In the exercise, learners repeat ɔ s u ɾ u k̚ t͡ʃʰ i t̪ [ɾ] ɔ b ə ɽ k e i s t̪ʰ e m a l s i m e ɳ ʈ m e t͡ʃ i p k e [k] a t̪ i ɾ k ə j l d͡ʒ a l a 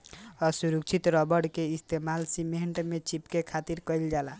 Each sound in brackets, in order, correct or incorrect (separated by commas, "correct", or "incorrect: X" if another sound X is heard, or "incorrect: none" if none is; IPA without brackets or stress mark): correct, incorrect: kʰ